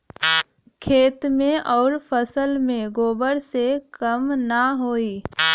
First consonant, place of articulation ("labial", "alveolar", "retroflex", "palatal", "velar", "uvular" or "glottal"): velar